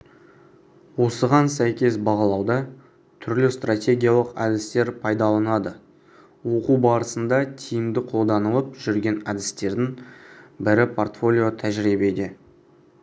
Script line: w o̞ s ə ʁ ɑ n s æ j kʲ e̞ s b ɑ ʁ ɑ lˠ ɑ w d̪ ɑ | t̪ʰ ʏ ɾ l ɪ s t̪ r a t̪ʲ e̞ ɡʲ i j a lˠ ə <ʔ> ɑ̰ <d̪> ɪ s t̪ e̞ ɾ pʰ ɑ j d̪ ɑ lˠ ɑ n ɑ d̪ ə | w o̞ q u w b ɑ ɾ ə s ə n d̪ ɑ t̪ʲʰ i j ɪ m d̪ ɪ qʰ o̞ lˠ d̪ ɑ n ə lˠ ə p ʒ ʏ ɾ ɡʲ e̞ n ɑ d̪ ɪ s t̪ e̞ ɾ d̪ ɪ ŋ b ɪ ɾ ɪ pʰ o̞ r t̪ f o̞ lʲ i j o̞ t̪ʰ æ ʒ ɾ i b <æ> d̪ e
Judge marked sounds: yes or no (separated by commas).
no, yes, no